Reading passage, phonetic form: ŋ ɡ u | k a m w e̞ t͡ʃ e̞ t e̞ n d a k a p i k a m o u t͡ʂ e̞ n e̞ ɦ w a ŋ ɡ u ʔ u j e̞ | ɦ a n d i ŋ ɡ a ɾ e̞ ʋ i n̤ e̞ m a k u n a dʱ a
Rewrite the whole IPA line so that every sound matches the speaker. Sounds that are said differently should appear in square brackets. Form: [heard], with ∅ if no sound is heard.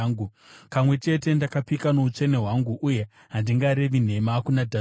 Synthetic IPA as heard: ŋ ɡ u | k a m w e̞ t͡ʃ e̞ t e̞ n d a k a p i k a [n] o u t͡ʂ e̞ n e̞ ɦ w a ŋ ɡ u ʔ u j e̞ | ɦ a n d i ŋ ɡ a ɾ e̞ ʋ i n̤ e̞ m a k u n a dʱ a